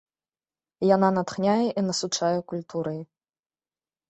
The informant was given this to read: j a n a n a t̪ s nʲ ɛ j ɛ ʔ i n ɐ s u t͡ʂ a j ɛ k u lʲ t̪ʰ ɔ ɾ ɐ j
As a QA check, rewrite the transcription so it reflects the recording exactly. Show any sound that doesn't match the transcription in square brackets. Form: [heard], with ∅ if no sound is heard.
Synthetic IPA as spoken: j a n a n a t̪ [x] nʲ [a] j ɛ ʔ i n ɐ s u t͡ʂ a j ɛ k u lʲ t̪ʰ [u] ɾ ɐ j

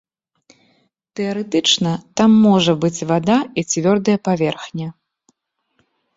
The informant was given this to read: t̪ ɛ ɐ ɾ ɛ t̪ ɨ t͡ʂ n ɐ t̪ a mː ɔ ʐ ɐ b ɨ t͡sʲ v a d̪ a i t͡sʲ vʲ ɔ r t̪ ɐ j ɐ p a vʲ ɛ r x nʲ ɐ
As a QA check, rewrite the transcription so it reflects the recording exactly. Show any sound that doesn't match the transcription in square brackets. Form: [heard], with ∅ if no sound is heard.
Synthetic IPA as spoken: t̪ ɛ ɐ ɾ ɛ t̪ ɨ t͡ʂ n ɐ t̪ a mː ɔ ʐ ɐ b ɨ t͡sʲ v a d̪ a i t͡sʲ vʲ ɔ r [d̪] ɐ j ɐ p a vʲ ɛ r x nʲ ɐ

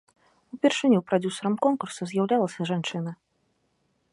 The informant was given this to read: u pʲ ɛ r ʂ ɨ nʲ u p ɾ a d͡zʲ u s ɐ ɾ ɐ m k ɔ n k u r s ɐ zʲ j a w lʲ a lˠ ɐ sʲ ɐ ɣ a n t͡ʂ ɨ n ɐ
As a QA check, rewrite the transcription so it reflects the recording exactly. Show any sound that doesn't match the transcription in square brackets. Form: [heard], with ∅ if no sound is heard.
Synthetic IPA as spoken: u pʲ ɛ r ʂ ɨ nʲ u p ɾ a d͡zʲ u s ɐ ɾ ɐ m k ɔ n k u r s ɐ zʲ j a w lʲ a lˠ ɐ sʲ ɐ [ʐ] a n t͡ʂ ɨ n ɐ

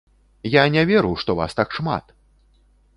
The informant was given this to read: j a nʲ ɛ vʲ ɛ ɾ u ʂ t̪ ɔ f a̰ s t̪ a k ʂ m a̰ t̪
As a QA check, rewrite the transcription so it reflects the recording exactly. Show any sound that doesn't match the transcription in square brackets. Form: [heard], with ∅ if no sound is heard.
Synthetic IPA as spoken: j a nʲ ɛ vʲ ɛ ɾ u ʂ t̪ ɔ [v] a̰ s t̪ a k ʂ m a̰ t̪

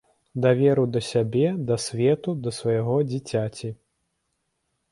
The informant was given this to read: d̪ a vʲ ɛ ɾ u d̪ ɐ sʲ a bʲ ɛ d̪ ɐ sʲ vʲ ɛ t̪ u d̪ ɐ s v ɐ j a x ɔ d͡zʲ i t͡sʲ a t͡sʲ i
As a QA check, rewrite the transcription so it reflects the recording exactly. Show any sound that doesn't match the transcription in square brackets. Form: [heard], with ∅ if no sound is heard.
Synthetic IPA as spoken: d̪ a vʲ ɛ ɾ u d̪ ɐ sʲ a bʲ ɛ d̪ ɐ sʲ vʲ ɛ t̪ u d̪ ɐ s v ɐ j a [ɣ] ɔ d͡zʲ i t͡sʲ a t͡sʲ i

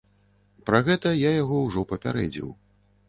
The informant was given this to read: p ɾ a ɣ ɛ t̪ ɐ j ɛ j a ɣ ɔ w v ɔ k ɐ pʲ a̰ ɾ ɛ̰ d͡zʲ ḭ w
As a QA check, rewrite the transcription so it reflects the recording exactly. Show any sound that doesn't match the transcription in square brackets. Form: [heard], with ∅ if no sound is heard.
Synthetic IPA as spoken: p ɾ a ɣ ɛ t̪ ɐ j [a] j a ɣ ɔ w [ʐ] ɔ [p] ɐ pʲ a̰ ɾ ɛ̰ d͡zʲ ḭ w

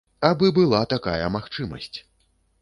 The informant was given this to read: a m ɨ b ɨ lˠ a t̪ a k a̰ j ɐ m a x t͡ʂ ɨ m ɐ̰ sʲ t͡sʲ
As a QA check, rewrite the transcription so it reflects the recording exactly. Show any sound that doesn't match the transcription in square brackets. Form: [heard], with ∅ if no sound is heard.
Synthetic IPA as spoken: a [b] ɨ b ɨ lˠ a t̪ a k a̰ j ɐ m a x t͡ʂ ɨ m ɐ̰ sʲ t͡sʲ

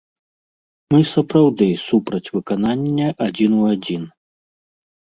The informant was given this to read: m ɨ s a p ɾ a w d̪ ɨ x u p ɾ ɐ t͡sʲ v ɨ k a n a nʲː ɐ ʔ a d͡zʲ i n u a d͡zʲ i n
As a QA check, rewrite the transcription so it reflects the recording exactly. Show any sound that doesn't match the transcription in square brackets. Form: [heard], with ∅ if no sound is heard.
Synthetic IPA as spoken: m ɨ s [ɐ] p ɾ a w d̪ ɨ [s] u p ɾ ɐ t͡sʲ v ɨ k a n a nʲː ɐ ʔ a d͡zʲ i n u a d͡zʲ i n

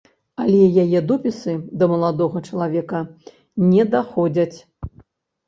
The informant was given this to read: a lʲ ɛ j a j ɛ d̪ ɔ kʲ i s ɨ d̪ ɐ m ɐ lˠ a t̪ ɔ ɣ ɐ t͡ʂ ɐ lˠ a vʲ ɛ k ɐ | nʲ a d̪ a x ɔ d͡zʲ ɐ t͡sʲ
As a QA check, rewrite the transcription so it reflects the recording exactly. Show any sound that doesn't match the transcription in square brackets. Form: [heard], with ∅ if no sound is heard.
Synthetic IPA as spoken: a lʲ ɛ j a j ɛ d̪ ɔ [pʲ] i s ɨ d̪ ɐ m ɐ lˠ a [d̪] ɔ ɣ ɐ t͡ʂ ɐ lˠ a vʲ ɛ k ɐ | nʲ [ɛ] d̪ a x ɔ d͡zʲ ɐ t͡sʲ

